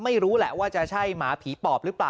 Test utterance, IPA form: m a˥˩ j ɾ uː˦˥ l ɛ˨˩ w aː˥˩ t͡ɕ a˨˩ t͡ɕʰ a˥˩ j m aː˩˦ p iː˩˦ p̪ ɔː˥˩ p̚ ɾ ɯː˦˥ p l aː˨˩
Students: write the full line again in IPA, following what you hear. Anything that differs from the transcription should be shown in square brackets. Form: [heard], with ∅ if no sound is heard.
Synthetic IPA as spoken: m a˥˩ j ɾ uː˦˥ l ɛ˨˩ w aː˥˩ t͡ɕ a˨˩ t͡ɕʰ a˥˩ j m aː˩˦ [pʰ] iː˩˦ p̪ [ɔː˨˩] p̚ ɾ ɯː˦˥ p l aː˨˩